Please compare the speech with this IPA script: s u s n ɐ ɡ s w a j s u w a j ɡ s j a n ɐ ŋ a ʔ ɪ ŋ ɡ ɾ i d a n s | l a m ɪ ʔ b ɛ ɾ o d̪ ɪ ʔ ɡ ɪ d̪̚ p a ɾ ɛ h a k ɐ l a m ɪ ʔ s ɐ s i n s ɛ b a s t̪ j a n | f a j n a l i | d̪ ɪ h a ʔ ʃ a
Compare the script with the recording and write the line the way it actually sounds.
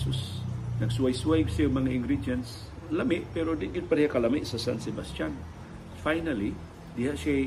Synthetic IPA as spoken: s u s n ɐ ɡ s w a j s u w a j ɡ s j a m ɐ ŋ a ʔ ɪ ŋ ɡ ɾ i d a n s | l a m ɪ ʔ p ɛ ɾ o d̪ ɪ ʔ ɡ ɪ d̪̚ p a ɾ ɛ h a k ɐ l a m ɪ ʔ s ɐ s a n s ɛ b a s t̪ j a n | f a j n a l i | d̪ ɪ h a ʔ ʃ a